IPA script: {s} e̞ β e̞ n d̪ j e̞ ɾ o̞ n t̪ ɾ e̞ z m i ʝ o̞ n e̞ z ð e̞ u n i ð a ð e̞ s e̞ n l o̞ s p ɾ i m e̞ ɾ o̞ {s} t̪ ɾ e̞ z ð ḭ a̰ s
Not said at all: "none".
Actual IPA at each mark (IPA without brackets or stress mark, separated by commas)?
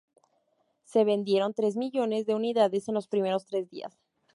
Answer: s, s